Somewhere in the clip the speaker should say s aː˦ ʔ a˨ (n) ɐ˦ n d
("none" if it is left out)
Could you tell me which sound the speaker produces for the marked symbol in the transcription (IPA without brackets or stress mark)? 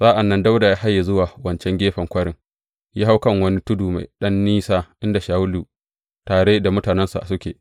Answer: nː